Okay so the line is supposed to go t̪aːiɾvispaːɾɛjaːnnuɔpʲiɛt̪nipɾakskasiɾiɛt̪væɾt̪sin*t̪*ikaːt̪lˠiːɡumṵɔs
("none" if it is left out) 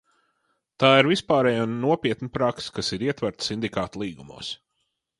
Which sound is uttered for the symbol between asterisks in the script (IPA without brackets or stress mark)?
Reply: d̪